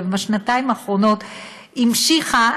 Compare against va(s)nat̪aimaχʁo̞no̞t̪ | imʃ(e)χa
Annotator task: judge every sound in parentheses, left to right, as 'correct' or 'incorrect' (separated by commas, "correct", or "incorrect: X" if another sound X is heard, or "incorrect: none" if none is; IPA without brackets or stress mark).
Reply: incorrect: ʃ, incorrect: i